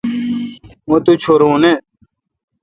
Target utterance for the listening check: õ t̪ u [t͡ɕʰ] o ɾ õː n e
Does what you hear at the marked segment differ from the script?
no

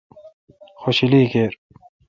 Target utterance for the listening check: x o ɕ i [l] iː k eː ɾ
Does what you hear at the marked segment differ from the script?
no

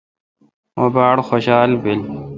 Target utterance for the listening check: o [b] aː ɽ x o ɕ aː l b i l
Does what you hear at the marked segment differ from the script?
no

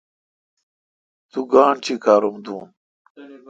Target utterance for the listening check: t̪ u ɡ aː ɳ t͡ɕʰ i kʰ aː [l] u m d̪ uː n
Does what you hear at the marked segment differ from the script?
yes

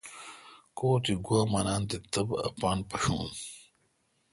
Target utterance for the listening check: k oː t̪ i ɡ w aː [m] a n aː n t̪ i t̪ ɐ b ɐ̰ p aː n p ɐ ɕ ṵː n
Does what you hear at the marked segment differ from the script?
no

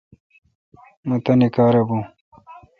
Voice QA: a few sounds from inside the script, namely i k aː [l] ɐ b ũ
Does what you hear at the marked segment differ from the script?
yes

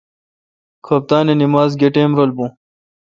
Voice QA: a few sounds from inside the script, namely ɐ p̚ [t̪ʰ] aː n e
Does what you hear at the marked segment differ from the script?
yes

